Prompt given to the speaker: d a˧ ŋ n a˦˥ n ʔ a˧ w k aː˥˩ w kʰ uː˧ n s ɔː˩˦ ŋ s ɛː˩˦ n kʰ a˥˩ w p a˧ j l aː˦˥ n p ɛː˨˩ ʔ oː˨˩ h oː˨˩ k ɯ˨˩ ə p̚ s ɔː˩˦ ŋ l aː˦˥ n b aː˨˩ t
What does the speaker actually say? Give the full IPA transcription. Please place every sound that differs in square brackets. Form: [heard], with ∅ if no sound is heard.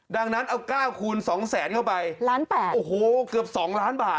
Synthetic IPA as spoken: d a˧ ŋ n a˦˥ n ʔ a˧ w k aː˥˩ w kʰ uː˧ n s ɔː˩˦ ŋ s ɛː˩˦ n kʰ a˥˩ w p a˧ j l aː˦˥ n p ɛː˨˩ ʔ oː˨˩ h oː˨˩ k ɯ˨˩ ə p̚ s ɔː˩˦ ŋ l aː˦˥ n b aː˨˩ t